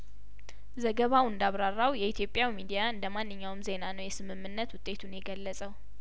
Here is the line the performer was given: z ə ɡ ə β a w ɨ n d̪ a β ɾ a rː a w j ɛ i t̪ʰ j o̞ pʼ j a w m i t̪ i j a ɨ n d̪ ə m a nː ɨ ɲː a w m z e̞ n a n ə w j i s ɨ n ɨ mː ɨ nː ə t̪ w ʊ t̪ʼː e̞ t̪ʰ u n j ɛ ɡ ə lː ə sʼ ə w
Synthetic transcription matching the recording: z ə ɡ ə β a w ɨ n d̪ a β ɾ a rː a w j ɛ i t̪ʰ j o̞ pʼ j a w m i d̪ i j a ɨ n d̪ ə m a nː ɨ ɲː a w m z e̞ n a n ə w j ɛ s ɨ m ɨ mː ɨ nː ə t̪ w ʊ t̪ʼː e̞ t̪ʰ u n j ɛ ɡ ə lː ə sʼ ə w